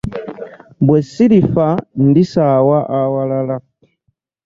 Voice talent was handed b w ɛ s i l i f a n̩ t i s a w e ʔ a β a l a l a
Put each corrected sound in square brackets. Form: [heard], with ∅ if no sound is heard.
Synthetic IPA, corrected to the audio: b w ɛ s i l i f a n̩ [d] i s a w [a] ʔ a [w] a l a l a